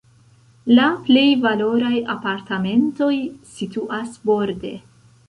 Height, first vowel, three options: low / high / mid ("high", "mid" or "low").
low